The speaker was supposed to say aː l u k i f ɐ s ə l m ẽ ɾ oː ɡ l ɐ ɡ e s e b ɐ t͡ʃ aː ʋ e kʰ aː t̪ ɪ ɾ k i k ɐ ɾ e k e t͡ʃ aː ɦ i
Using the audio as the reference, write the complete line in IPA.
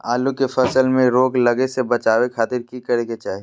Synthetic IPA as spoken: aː l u k e f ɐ s ə l m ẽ ɾ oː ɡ l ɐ ɡ e s e b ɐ t͡ʃ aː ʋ e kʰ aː t̪ ɪ ɾ k i k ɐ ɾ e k e t͡ʃ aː ɦ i